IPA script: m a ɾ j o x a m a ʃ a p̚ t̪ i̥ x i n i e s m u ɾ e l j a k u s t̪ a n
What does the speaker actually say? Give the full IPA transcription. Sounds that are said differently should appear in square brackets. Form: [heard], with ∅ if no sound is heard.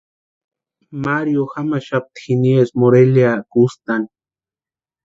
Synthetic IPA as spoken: m a ɾ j o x a m a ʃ a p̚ t̪ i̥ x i n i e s m [o] ɾ e l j a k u s t̪ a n